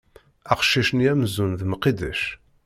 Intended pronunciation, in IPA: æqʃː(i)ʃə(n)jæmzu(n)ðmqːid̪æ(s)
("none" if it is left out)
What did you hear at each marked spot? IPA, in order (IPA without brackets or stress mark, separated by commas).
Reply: i, n, n, ʃ